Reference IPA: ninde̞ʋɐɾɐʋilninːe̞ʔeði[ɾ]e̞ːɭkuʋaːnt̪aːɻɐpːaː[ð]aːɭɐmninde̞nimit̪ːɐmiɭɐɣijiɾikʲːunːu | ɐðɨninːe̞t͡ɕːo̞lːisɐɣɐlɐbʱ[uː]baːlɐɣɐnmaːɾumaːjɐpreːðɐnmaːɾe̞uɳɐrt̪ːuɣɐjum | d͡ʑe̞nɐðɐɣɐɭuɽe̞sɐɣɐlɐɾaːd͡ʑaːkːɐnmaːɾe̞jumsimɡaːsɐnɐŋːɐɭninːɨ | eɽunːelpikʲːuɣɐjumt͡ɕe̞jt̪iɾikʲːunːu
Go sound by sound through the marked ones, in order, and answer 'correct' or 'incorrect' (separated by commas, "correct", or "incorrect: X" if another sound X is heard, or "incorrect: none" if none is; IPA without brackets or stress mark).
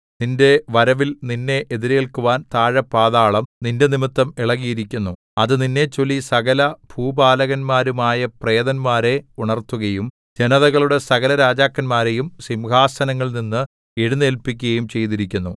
correct, correct, correct